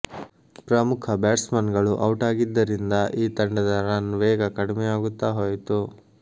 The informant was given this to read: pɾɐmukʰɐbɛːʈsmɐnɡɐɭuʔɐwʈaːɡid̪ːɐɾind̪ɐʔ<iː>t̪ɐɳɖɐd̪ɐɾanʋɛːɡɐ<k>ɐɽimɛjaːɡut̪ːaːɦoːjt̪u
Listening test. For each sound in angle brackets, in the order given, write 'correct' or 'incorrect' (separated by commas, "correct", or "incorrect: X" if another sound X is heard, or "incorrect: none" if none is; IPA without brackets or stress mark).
correct, correct